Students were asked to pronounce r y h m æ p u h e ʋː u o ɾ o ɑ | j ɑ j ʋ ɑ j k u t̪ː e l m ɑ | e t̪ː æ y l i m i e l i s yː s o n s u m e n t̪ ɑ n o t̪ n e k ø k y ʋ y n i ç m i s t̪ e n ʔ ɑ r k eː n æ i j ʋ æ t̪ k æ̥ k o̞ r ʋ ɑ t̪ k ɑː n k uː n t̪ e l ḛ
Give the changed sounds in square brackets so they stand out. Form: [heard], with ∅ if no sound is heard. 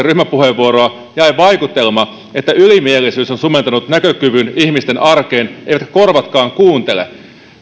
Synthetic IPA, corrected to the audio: r y h m æ p u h e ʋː u o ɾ o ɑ | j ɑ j ʋ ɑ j k u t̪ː e l m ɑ | e t̪ː æ y l i m i e l i s yː s o n s u m e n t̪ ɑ n [u] t̪ n [æ] k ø k y ʋ y n i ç m i s t̪ e n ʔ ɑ r k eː n [e] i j ʋ æ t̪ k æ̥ k o̞ r ʋ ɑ t̪ k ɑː [ŋ] k uː n t̪ e l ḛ